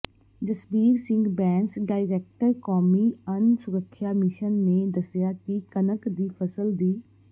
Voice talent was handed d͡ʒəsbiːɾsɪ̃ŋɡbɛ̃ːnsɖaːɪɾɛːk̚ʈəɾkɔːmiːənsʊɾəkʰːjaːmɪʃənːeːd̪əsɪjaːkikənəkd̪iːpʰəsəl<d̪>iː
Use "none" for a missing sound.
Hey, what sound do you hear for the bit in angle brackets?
d̪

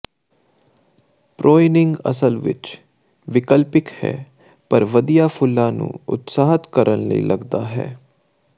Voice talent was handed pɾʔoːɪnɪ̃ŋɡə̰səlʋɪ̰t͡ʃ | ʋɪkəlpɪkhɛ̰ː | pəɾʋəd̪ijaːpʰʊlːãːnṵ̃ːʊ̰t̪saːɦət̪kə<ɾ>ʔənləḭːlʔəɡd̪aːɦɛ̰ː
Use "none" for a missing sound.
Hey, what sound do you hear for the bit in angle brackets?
ɾ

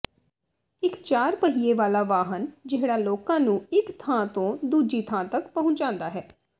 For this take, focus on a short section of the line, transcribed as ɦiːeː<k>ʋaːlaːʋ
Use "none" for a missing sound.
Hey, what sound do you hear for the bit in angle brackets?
none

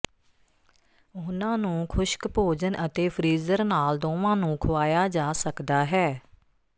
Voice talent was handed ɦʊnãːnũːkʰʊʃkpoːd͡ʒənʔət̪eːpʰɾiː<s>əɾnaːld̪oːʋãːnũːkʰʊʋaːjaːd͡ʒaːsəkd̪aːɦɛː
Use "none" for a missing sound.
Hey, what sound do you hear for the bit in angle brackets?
z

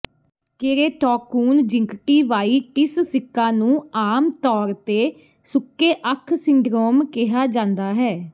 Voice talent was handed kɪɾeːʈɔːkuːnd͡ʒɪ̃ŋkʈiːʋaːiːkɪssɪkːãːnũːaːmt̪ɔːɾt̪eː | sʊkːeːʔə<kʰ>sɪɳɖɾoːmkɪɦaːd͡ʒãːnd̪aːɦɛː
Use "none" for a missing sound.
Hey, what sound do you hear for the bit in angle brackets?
kʰ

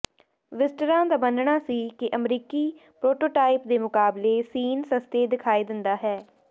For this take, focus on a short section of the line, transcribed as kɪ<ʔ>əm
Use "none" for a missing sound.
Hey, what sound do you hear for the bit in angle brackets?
ʔ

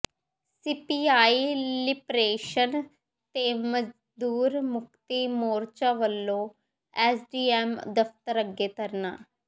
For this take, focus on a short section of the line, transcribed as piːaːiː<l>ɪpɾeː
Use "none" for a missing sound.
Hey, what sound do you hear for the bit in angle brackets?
l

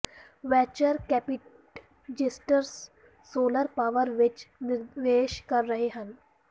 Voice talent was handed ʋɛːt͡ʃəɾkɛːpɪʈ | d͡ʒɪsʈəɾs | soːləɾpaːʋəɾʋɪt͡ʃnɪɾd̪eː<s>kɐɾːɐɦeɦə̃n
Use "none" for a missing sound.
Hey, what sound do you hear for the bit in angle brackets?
ʃ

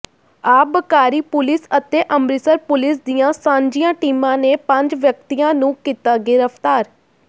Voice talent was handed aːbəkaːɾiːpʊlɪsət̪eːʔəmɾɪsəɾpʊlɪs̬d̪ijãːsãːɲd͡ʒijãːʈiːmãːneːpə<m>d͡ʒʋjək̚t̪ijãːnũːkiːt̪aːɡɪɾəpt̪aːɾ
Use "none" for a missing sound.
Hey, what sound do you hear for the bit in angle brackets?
ɲ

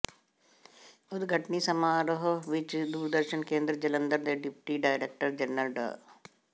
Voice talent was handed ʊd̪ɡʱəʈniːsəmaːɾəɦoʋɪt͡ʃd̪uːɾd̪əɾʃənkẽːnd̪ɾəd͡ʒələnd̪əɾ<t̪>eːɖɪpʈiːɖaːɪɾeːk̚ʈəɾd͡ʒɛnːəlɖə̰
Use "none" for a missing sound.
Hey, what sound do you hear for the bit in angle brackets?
d̪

